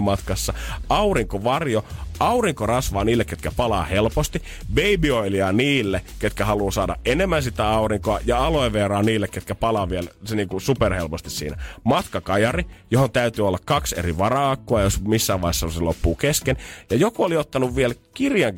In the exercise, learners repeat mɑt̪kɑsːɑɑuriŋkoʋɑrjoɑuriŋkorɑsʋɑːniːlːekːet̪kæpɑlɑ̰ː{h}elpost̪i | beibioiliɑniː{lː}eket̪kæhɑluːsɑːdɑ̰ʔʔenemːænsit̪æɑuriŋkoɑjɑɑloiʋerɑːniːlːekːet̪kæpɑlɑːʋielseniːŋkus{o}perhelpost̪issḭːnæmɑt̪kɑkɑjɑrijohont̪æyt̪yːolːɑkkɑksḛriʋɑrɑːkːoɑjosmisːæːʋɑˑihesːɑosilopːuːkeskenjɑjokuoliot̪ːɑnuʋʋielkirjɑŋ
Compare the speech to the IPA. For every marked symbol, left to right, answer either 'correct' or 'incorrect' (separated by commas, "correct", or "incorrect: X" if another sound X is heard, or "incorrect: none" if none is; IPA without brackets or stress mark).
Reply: correct, correct, incorrect: u